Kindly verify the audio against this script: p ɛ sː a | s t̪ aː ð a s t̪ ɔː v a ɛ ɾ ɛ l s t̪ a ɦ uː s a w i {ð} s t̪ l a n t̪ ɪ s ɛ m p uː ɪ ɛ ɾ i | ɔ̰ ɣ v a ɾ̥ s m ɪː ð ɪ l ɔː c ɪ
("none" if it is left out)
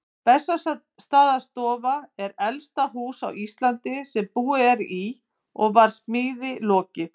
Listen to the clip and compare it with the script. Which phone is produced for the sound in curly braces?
none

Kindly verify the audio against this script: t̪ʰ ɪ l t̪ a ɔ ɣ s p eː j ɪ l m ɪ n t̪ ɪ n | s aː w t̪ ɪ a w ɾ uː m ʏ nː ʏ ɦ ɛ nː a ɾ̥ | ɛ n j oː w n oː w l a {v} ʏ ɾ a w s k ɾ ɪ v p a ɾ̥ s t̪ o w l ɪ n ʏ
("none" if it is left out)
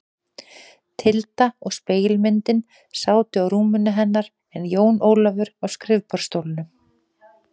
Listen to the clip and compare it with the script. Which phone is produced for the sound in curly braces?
v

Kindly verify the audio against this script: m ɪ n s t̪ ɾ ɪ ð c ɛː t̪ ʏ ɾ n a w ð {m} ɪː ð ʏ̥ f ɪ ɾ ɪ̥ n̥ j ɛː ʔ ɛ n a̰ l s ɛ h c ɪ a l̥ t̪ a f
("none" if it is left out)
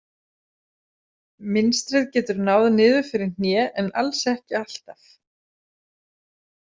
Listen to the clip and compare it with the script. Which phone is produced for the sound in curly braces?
n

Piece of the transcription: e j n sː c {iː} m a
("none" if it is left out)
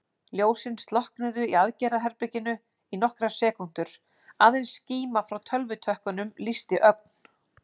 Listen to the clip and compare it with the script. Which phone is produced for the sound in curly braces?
iː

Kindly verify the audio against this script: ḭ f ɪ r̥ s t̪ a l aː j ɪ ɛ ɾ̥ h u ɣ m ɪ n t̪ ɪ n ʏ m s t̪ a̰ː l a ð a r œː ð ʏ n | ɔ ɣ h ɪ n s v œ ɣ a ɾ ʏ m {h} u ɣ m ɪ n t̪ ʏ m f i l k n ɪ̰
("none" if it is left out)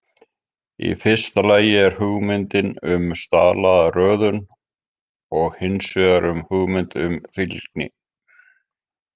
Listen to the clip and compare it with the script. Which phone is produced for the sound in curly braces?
h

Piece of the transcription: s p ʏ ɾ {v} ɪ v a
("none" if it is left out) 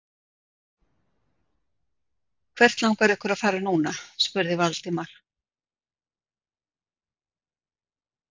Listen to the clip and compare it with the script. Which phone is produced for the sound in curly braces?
ð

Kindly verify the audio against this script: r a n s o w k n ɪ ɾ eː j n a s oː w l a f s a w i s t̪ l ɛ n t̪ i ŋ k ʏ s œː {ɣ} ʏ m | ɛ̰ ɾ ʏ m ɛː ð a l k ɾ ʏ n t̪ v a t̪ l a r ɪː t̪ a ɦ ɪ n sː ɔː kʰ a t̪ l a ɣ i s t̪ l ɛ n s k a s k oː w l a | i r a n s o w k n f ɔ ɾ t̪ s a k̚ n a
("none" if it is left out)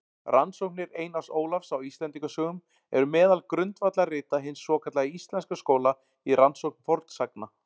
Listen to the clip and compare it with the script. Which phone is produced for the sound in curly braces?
ɣ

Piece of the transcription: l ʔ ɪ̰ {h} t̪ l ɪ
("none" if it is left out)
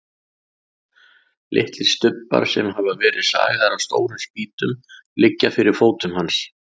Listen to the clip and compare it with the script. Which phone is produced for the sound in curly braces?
h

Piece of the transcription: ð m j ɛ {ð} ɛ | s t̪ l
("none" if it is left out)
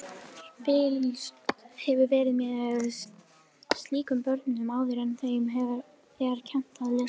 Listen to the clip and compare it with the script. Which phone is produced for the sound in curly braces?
ð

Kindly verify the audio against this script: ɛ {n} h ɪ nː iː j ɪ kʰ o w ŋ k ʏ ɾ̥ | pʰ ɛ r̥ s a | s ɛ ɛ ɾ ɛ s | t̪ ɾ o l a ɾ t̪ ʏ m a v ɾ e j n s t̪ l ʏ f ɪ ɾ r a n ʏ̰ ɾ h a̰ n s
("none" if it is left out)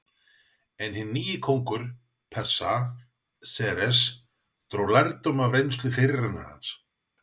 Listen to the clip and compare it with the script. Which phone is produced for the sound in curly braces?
n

